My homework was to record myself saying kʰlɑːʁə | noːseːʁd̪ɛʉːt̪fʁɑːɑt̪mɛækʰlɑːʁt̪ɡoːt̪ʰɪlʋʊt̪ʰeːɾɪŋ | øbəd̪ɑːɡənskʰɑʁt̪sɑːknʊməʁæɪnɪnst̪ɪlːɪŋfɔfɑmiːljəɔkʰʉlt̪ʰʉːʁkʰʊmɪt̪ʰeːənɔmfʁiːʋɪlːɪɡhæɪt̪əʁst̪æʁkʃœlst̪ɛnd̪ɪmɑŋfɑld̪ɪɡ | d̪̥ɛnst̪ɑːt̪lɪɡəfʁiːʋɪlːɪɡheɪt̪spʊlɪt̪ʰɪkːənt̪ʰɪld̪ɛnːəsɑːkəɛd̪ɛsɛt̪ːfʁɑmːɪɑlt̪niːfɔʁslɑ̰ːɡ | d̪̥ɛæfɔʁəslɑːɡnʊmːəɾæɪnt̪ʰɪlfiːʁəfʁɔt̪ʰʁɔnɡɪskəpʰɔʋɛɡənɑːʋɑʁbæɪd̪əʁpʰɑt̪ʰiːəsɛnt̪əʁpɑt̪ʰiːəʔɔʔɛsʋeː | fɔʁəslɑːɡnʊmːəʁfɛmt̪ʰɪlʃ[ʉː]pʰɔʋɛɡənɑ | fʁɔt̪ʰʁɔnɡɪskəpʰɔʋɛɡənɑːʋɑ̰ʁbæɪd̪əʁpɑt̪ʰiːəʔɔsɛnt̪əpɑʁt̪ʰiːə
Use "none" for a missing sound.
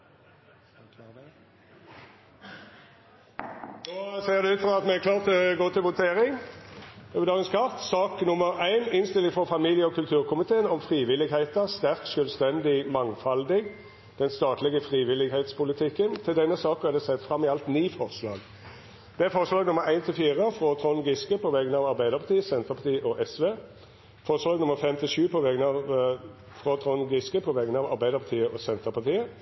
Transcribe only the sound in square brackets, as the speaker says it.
ʉː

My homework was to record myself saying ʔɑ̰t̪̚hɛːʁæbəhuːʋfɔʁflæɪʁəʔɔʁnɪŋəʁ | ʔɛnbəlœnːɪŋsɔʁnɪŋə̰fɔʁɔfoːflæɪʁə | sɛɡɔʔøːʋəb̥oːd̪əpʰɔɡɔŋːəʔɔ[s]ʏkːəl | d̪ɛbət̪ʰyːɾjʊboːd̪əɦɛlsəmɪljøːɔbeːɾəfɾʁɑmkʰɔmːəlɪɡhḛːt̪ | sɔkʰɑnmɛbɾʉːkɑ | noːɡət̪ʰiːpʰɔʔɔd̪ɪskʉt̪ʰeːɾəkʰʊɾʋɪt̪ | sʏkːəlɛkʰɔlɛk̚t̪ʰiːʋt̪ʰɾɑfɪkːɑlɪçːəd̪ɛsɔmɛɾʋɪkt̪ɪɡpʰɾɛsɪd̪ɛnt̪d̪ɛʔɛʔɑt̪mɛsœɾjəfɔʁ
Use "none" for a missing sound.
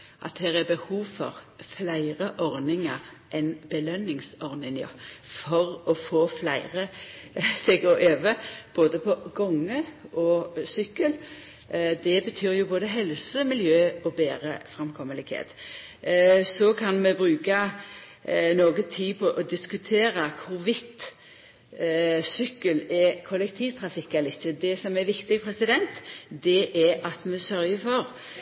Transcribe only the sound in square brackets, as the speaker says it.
s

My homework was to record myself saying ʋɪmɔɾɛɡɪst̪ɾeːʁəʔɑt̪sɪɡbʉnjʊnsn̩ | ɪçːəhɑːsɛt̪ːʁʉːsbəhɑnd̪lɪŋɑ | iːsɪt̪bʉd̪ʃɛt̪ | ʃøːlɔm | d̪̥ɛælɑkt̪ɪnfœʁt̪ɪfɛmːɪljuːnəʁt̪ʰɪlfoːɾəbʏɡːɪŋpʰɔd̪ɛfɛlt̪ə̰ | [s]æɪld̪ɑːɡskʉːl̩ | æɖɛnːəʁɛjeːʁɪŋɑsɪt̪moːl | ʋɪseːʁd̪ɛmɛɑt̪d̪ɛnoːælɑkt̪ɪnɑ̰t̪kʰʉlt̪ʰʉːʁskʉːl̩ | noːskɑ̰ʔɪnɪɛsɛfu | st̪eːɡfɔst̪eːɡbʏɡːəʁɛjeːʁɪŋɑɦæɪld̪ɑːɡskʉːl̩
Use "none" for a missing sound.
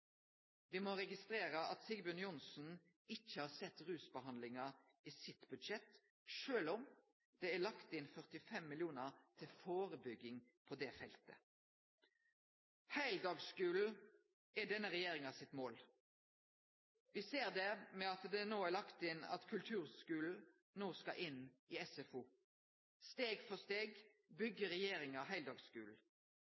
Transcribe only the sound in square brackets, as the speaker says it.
h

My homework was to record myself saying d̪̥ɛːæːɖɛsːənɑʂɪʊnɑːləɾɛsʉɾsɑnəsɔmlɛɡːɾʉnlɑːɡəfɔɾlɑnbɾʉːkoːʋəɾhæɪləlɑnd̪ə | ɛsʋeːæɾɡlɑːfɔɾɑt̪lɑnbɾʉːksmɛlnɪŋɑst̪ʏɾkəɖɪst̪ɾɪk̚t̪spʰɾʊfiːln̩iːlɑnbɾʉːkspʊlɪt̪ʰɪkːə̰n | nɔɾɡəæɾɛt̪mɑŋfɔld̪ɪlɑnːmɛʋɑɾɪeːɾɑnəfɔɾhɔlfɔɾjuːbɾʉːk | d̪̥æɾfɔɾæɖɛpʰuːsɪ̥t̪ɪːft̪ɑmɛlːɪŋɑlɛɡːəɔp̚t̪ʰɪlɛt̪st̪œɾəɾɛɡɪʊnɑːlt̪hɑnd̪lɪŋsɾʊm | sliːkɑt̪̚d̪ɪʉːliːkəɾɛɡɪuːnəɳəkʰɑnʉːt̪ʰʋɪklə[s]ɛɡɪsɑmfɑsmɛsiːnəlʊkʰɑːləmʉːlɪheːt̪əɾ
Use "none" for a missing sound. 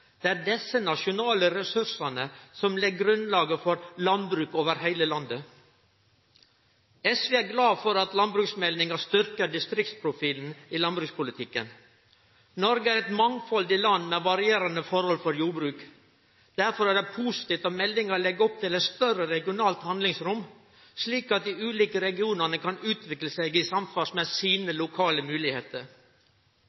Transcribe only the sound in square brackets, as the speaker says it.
s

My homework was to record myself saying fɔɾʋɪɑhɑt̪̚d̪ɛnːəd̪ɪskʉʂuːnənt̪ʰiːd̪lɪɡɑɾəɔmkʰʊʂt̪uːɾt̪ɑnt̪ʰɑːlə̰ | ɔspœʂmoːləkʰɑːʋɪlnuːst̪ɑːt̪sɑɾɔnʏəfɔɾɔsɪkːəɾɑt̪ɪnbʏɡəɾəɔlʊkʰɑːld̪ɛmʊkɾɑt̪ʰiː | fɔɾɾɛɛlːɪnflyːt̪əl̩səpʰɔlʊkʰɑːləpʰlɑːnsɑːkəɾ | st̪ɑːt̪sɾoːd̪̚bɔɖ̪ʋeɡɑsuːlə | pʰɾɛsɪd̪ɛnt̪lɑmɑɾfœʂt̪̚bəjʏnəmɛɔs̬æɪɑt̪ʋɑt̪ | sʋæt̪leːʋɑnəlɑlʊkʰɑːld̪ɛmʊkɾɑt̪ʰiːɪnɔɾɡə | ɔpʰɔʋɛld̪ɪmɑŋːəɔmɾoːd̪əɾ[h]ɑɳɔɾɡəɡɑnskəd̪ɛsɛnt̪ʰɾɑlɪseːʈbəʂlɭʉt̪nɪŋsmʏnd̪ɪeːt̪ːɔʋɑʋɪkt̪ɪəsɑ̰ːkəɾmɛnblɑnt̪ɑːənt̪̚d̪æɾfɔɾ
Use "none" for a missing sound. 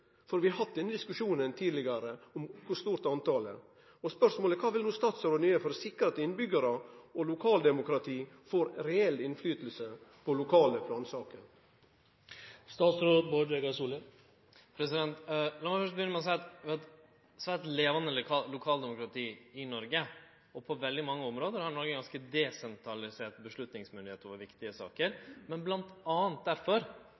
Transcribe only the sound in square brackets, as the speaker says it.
h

